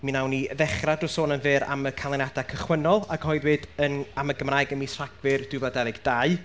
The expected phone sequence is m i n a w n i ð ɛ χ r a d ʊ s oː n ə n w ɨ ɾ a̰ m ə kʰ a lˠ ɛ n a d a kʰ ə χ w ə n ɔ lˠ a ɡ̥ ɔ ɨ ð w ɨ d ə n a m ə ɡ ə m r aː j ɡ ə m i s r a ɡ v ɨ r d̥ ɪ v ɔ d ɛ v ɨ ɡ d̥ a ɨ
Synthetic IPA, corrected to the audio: m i n a w n i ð ɛ χ r a d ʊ s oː n ə n v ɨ ɾ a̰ m ə kʰ a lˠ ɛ n a d a kʰ ə χ w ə n ɔ lˠ a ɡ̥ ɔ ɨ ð w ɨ d ə n a m ə ɡ ə m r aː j ɡ ə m i s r a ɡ v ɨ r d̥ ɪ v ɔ d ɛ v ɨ ɡ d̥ a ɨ